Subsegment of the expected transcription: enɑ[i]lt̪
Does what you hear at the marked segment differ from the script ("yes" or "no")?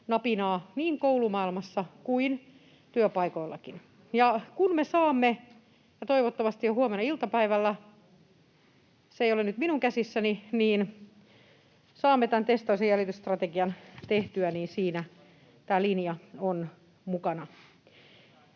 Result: no